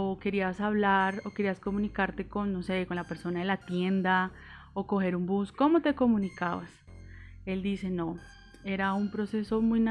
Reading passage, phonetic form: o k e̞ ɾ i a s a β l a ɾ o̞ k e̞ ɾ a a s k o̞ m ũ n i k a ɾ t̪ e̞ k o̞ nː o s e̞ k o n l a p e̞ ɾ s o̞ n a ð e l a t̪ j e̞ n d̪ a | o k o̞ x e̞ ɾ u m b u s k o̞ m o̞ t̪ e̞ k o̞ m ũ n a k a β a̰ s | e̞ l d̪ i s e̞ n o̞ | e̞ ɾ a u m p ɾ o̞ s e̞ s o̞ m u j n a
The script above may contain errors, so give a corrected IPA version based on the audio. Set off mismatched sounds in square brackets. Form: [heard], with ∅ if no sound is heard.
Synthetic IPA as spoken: o k e̞ ɾ i a s a β l a ɾ o̞ k e̞ ɾ [i] a s k o̞ m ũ n i k a ɾ t̪ e̞ k o̞ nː o s e̞ k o n l a p e̞ ɾ s o̞ n a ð e l a t̪ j e̞ n d̪ a | o k o̞ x e̞ ɾ u m b u s k o̞ m o̞ t̪ e̞ k o̞ m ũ n [i] k a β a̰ s | e̞ l d̪ i s e̞ n o̞ | e̞ ɾ a u m p ɾ o̞ s e̞ s o̞ m u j n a